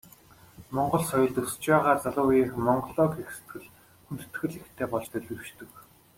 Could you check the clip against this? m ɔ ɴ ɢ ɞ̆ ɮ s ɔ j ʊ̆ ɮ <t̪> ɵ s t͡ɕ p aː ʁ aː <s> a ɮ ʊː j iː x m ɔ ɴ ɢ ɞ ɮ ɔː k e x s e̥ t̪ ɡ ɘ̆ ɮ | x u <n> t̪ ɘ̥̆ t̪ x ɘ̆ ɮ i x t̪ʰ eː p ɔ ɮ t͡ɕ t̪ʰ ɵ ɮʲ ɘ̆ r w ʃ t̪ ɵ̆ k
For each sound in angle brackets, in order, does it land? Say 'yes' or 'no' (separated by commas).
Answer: yes, no, yes